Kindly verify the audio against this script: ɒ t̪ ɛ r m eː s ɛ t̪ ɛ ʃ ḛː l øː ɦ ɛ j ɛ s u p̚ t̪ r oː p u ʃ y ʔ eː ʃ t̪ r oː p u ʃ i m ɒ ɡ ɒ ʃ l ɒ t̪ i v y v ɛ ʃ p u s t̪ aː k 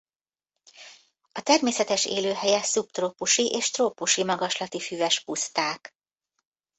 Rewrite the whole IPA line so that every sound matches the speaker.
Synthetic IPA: ɒ t̪ ɛ r m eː s ɛ t̪ ɛ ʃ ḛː l øː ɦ ɛ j ɛ s u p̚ t̪ r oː p u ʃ i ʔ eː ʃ t̪ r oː p u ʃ i m ɒ ɡ ɒ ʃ l ɒ t̪ i f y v ɛ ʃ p u s t̪ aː k

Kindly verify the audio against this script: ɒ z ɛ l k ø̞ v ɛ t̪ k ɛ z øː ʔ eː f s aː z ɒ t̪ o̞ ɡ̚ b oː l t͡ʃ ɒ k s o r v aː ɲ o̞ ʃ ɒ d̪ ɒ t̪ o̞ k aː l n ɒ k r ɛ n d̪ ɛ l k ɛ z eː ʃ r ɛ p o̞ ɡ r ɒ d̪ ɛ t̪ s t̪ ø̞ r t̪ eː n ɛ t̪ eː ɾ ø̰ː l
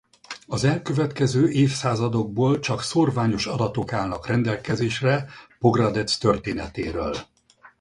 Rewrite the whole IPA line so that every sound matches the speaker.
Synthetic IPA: ɒ z ɛ l k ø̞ v ɛ t̪ k ɛ z øː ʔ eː f s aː z ɒ d̪ o̞ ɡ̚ b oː l t͡ʃ ɒ k s o r v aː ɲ o̞ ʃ ɒ d̪ ɒ t̪ o̞ k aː l n ɒ k r ɛ n d̪ ɛ l k ɛ z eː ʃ r ɛ p o̞ ɡ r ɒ d̪ ɛ t̪ s t̪ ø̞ r t̪ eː n ɛ t̪ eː ɾ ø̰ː l

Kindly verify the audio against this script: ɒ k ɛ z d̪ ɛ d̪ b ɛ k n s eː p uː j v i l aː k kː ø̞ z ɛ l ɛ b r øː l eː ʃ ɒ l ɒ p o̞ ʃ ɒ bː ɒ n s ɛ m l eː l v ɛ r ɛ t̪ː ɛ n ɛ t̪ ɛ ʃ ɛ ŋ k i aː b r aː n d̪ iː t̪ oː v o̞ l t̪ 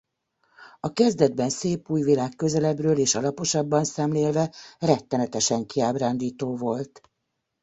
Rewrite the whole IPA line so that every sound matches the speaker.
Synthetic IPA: ɒ k ɛ z d̪ ɛ d̪ b ɛ n s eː p uː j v i l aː k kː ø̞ z ɛ l ɛ b r øː l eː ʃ ɒ l ɒ p o̞ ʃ ɒ bː ɒ n s ɛ m l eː l v ɛ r ɛ t̪ː ɛ n ɛ t̪ ɛ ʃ ɛ ŋ k i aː b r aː n d̪ iː t̪ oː v o̞ l t̪

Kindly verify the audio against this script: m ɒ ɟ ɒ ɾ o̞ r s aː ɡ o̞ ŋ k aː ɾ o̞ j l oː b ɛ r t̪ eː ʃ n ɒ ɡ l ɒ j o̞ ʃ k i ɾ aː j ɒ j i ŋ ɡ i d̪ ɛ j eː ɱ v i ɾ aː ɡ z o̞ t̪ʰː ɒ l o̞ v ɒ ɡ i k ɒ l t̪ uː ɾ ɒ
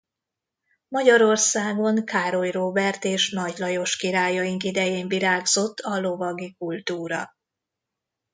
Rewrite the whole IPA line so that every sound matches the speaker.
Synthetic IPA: m ɒ ɟ ɒ ɾ o̞ r s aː ɡ o̞ ŋ k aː ɾ o̞ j r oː b ɛ r t̪ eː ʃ n ɒ ɟ l ɒ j o̞ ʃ k i ɾ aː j ɒ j i ŋ k i d̪ ɛ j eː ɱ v i ɾ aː ɡ z o̞ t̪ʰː ɒ l o̞ v ɒ ɡ i k u l t̪ uː ɾ ɒ

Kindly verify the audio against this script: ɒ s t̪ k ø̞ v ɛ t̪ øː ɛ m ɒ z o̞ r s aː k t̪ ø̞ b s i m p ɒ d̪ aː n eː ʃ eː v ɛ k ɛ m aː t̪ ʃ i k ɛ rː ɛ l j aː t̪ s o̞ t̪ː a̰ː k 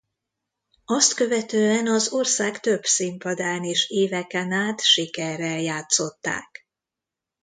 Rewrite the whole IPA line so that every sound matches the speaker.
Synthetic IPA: ɒ s t̪ k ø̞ v ɛ t̪ øː ɛ n ɒ z o̞ r s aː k t̪ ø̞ b s i m p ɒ d̪ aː n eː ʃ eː v ɛ k ɛ n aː t̪ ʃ i k ɛ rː ɛ l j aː t̪ s o̞ t̪ː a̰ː k

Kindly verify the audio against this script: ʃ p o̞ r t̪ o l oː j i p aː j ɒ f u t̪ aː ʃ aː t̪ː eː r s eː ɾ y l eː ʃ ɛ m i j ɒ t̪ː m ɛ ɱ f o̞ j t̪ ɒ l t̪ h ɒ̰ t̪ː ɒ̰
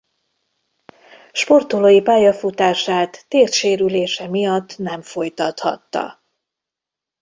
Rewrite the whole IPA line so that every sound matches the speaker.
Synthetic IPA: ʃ p o̞ r t̪ o l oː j i p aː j ɒ f u t̪ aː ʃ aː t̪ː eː r ʃ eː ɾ y l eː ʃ ɛ m i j ɒ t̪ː n ɛ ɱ f o̞ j t̪ ɒ t̪ h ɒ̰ t̪ː ɒ̰

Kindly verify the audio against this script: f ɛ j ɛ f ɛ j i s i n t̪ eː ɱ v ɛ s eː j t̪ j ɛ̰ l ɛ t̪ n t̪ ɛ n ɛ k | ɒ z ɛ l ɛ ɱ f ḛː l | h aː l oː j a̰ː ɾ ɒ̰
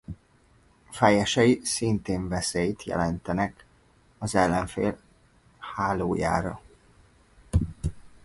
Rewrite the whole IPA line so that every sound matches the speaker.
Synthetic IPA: f ɛ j ɛ ʃ ɛ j i s i n t̪ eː ɱ v ɛ s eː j t̪ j ɛ̰ l ɛ n t̪ ɛ n ɛ k | ɒ z ɛ lː ɛ ɱ f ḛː l | h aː l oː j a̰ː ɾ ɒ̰

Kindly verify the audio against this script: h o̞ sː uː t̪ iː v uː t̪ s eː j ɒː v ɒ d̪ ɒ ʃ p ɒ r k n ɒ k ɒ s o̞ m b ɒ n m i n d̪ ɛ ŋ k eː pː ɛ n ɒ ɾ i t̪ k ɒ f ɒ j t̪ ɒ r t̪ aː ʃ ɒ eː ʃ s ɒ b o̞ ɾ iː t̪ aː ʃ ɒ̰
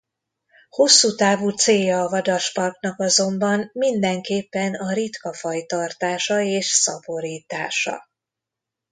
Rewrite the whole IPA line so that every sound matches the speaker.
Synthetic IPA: h o̞ sː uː t̪ aː v uː t̪ s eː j ɒː v ɒ d̪ ɒ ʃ p ɒ r k n ɒ k ɒ z o̞ m b ɒ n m i n d̪ ɛ ŋ k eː pː ɛ n ɒ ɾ i t̪ k ɒ f ɒ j t̪ ɒ r t̪ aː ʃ ɒ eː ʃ s ɒ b o̞ ɾ iː t̪ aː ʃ ɒ̰

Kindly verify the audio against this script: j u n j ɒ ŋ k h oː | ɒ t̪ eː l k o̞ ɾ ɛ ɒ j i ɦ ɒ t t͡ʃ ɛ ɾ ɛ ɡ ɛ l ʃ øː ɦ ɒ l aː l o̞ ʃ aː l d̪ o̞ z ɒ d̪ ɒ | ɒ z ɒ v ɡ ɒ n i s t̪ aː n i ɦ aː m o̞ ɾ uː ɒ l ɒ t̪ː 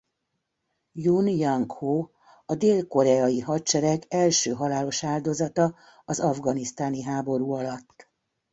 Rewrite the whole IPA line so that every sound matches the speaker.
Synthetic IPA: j u n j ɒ ŋ k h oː | ɒ d̪ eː l k o̞ ɾ ɛ ɒ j i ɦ ɒ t t͡ʃ ɛ ɾ ɛ ɡ ɛ l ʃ øː ɦ ɒ l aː l o̞ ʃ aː l d̪ o̞ z ɒ t̪ ɒ | ɒ z ɒ v ɡ ɒ n i s t̪ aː n i ɦ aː b o̞ ɾ uː ɒ l ɒ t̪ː

